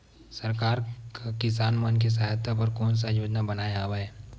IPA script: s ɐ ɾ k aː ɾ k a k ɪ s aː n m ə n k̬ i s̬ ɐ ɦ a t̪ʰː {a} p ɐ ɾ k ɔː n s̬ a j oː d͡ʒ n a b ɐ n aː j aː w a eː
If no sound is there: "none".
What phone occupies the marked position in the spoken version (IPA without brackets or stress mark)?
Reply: a